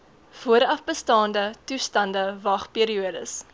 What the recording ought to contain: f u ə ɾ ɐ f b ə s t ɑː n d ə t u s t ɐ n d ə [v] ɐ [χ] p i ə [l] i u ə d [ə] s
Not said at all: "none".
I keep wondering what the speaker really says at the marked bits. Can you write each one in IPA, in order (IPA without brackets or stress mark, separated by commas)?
v, χ, ɾ, ə